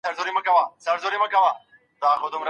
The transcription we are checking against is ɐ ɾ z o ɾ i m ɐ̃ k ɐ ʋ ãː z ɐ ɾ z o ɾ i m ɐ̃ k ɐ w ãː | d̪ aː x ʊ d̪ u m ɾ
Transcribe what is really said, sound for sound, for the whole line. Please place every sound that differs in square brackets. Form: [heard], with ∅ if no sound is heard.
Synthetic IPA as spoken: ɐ ɾ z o ɾ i m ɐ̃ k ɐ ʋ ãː [s] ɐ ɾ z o ɾ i m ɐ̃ k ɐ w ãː | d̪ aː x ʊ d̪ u m ɾ

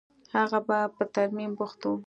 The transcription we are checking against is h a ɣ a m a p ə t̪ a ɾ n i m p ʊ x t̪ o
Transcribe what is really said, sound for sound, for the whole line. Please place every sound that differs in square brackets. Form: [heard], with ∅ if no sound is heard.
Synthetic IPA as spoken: h a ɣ a [b] a p ə t̪ a ɾ [m] i m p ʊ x t̪ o

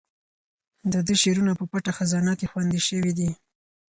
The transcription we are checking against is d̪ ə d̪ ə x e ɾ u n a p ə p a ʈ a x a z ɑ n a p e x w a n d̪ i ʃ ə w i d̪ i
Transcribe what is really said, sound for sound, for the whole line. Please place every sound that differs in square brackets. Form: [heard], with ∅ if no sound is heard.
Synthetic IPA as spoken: d̪ ə d̪ ə [ʃ] e ɾ u n a p ə p a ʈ a x a z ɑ n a [k] e x w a n d̪ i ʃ ə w i d̪ i

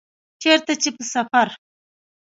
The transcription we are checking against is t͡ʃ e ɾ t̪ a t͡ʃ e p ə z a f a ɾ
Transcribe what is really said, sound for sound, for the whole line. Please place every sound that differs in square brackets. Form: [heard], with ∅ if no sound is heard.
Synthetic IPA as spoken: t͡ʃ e ɾ t̪ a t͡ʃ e p ə [s] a f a ɾ

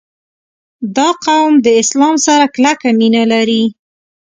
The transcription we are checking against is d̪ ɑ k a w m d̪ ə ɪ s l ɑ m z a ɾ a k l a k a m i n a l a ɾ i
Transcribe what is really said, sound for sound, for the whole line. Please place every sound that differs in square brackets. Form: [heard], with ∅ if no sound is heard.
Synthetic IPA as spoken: d̪ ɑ [q] a w m d̪ ə ɪ s l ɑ m [s] a ɾ a k l a k a m i n a l a ɾ i

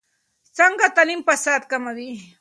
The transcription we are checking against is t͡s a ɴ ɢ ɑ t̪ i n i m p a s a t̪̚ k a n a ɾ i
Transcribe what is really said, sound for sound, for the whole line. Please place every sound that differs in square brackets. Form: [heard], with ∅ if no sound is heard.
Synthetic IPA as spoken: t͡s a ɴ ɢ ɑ t̪ [a] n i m p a s a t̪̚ k a [m] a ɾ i

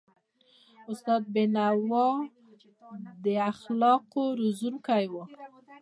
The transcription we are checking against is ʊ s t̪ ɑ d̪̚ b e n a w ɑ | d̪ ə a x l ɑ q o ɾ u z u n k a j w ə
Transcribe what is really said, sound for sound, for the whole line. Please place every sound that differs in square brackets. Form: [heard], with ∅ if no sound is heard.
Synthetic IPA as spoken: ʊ s t̪ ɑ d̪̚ b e n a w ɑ | d̪ ə a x l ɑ q o ɾ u z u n k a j w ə

